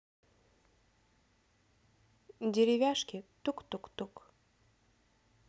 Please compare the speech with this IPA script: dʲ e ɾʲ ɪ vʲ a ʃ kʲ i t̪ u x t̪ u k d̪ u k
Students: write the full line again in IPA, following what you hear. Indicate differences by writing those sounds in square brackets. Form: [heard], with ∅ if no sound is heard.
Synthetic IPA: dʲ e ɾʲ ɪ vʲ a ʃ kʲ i t̪ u [k] t̪ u k [t̪] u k